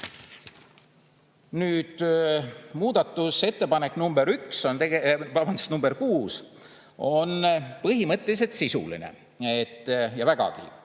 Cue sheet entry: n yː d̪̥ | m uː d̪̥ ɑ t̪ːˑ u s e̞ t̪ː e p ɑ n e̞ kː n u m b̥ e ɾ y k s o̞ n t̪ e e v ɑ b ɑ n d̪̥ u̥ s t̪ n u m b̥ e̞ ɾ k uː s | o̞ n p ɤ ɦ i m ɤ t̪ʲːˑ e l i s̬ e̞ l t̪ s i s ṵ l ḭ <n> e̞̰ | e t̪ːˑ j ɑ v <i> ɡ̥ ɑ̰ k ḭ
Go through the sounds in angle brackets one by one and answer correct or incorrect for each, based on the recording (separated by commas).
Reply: correct, incorrect